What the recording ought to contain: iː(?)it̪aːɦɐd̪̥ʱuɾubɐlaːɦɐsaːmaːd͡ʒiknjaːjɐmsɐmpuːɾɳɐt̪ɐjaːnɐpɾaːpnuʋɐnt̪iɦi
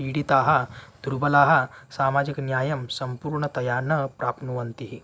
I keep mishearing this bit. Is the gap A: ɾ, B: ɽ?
B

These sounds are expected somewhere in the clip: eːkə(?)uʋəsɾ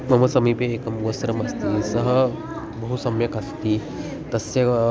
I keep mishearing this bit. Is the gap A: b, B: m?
B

